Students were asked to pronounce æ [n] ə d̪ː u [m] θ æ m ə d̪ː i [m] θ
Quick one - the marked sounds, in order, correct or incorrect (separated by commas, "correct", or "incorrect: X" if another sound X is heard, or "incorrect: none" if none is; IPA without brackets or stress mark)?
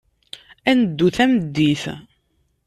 correct, incorrect: none, incorrect: none